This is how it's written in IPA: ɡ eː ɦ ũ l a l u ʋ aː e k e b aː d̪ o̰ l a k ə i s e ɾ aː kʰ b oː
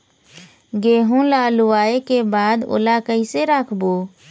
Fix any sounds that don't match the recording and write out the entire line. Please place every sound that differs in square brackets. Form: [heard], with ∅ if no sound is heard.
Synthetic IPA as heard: ɡ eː ɦ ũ l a l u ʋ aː e k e b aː d̪ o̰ l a k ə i s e ɾ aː kʰ b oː